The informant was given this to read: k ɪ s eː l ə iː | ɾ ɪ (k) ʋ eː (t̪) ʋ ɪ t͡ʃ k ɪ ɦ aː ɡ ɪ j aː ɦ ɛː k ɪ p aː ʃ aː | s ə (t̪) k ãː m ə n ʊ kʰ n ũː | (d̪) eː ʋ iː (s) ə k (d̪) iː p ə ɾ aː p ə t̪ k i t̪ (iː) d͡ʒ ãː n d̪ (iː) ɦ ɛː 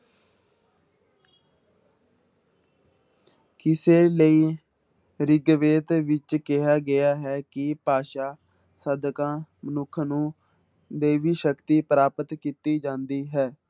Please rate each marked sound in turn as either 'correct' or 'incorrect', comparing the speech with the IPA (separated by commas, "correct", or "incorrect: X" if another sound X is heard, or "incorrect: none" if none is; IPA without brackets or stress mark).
incorrect: ɡ, correct, incorrect: d̪, correct, incorrect: ʃ, incorrect: t̪, correct, correct